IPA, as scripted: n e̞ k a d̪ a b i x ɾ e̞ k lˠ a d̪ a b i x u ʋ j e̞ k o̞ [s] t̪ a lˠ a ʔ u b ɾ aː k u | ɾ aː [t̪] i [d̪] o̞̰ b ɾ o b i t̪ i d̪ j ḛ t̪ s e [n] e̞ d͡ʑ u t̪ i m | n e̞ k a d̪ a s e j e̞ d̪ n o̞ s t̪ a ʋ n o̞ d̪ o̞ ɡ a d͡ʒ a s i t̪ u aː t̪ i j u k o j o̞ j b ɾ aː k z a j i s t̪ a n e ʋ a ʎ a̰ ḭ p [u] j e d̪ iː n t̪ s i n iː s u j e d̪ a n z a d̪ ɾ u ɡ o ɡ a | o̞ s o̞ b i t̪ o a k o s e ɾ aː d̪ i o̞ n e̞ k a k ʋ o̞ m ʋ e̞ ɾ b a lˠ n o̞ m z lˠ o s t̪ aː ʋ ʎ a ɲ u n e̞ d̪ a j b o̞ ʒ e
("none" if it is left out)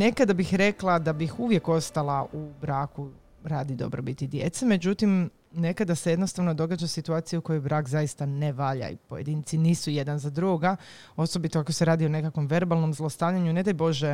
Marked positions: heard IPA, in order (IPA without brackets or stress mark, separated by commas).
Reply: s, d̪, d̪, m, o